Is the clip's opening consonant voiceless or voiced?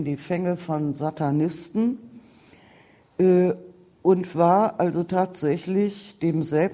voiced